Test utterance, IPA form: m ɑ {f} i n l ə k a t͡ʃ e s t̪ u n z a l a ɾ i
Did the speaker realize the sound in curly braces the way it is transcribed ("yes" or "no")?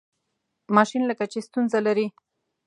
no